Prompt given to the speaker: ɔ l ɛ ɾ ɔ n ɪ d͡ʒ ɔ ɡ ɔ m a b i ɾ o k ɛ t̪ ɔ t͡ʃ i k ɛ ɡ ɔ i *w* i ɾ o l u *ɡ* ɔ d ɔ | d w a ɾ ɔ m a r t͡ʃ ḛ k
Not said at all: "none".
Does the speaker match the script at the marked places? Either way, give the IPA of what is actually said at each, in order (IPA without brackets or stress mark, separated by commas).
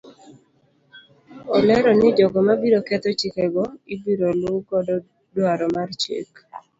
b, k